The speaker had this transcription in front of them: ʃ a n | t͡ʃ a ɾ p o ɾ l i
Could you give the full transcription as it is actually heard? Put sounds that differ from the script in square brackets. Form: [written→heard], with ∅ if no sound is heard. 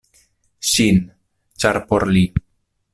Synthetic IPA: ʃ [a→i] n | t͡ʃ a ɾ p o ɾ l i